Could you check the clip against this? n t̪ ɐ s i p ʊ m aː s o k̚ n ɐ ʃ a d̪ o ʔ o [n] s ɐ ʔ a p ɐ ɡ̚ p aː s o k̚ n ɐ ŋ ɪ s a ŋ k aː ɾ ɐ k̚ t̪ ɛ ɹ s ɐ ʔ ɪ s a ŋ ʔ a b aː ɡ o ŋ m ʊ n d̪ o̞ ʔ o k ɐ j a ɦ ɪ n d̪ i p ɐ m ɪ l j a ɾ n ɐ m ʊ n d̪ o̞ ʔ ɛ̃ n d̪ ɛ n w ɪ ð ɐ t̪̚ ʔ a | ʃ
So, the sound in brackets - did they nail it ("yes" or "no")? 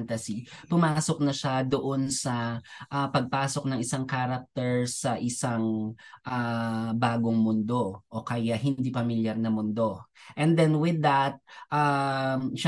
yes